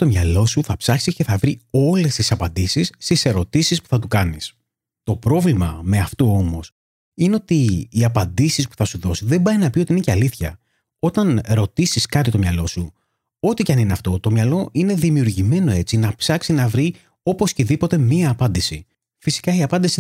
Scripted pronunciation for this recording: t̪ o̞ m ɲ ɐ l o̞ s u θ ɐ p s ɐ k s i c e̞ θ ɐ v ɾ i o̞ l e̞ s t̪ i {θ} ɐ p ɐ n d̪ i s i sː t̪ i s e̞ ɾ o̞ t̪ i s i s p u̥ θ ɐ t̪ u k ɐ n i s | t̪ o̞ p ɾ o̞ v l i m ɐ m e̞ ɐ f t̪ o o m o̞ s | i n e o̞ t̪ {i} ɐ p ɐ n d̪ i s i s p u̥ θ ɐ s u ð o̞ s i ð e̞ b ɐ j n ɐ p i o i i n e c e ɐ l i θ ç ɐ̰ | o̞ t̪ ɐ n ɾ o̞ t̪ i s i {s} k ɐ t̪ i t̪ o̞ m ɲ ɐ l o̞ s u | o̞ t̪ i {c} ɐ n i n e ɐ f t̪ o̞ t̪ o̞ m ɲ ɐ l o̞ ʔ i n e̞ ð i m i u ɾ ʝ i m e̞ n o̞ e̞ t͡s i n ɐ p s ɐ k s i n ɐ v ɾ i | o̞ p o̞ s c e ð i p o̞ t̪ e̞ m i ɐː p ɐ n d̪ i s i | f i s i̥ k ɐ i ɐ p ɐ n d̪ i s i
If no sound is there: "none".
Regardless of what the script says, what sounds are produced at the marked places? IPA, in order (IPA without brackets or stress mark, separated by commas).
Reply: s, iː, s, c